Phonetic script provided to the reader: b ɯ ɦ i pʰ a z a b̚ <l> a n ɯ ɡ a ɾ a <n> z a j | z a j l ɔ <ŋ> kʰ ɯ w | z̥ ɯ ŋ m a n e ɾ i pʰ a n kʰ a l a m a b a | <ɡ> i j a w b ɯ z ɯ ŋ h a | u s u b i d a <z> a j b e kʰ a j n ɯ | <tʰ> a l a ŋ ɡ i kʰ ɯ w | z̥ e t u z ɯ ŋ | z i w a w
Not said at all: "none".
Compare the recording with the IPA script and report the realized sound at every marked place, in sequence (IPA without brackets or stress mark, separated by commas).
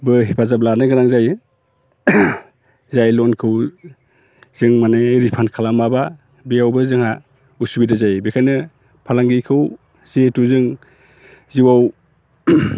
l, ŋ, n, b, z, pʰ